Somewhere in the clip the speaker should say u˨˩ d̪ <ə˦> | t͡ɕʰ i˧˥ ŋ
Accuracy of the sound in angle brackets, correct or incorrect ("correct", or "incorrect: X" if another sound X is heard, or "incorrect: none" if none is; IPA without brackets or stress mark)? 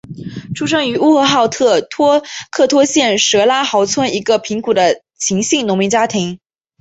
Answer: correct